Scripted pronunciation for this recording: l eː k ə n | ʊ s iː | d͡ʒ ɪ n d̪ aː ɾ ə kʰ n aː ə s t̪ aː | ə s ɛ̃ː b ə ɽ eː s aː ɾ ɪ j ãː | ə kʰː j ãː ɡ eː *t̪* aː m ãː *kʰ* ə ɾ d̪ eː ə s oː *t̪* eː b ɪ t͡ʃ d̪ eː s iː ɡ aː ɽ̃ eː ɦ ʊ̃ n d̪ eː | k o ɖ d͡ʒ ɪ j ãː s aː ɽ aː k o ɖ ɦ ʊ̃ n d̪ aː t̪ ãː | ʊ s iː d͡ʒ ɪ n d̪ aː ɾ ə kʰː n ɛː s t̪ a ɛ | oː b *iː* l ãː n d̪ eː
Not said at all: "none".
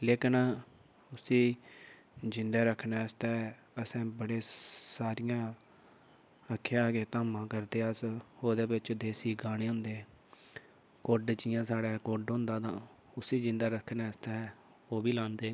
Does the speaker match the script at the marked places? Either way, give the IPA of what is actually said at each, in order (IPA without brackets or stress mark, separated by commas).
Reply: t̪, k, d̪, iː